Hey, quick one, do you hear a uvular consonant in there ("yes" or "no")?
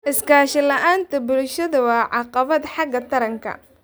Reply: yes